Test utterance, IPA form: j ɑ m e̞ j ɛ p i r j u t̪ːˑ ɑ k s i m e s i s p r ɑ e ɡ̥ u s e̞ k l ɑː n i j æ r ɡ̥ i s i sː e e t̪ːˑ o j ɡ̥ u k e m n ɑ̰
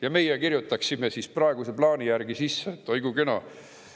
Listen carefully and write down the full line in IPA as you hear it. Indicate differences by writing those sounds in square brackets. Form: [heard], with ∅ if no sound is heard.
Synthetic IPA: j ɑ m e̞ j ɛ [k] i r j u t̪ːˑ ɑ k s i m e s i s p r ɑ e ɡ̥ u s e̞ [p] l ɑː n i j æ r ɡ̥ i s i sː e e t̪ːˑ o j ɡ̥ u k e [∅] n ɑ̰